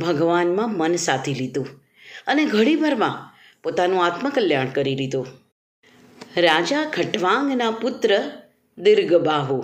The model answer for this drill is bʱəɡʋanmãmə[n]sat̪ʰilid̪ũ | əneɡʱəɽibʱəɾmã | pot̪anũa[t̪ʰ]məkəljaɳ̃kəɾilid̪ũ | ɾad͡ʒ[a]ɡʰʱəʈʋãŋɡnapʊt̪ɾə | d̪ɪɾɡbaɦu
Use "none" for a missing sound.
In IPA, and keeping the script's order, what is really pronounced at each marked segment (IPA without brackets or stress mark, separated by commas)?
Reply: n, t̪, a